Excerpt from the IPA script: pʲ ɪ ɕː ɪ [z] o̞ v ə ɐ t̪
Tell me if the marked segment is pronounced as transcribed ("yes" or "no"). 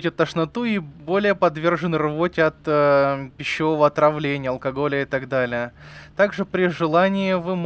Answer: no